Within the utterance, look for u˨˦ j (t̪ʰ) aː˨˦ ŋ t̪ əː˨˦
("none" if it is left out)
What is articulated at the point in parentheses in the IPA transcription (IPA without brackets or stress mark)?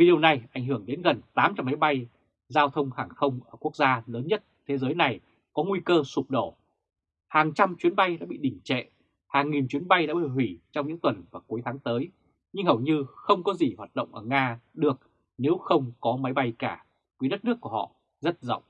t̪ʰ